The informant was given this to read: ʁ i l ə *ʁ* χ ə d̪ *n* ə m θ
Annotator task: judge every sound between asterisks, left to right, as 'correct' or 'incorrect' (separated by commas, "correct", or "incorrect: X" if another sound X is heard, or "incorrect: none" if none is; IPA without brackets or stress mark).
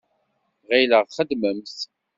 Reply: correct, incorrect: m